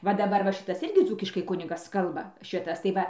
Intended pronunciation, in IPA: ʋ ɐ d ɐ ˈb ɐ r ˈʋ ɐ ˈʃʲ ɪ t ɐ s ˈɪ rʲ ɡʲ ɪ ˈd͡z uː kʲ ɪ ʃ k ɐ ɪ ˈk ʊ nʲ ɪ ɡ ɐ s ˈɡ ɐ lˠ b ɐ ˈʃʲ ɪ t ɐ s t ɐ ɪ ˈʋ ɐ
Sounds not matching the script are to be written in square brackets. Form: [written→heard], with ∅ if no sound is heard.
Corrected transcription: ʋ ɐ d ɐ ˈb ɐ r ˈʋ ɐ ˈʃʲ ɪ t ɐ s ˈɪ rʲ ɡʲ ɪ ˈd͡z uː kʲ ɪ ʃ k ɐ ɪ ˈk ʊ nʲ ɪ ɡ ɐ s [ˈɡ→ˈk] ɐ lˠ b ɐ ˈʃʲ ɪ t ɐ s t ɐ ɪ ˈʋ ɐ